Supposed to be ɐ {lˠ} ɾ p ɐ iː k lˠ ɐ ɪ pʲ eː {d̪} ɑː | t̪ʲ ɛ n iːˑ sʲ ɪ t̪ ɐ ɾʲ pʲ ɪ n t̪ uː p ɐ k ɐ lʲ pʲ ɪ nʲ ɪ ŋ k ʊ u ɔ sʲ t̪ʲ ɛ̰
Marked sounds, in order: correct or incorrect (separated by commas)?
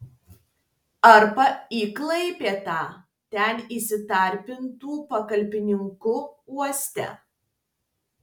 incorrect, incorrect